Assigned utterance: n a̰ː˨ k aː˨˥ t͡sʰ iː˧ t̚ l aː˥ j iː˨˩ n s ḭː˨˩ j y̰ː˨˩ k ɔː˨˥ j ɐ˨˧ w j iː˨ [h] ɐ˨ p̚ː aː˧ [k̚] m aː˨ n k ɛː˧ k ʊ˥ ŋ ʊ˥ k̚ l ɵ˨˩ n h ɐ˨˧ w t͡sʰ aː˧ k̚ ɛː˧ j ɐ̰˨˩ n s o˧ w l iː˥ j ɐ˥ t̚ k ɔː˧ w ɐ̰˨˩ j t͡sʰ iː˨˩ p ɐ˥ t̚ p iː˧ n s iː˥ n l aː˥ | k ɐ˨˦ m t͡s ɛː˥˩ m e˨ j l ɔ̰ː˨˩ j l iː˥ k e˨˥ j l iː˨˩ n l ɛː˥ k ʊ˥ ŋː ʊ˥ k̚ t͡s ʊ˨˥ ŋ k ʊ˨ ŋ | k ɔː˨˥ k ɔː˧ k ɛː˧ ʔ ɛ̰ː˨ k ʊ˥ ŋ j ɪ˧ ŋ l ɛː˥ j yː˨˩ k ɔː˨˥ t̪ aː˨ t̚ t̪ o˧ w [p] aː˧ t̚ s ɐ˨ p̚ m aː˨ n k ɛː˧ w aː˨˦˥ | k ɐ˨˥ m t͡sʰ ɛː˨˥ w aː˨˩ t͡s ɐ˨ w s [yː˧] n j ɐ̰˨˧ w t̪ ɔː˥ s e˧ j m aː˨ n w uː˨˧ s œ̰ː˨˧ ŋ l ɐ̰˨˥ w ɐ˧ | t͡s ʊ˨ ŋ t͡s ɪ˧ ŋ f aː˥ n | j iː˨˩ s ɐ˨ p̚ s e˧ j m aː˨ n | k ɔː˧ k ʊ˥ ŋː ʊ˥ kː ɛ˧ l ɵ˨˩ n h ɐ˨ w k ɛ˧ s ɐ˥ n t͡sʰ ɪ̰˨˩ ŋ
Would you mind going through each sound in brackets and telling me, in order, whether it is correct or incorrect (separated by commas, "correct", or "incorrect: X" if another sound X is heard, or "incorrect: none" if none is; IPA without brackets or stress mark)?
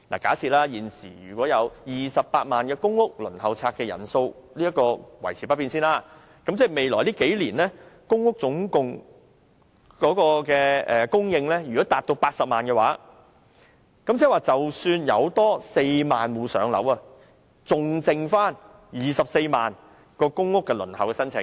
incorrect: s, incorrect: t̚, correct, correct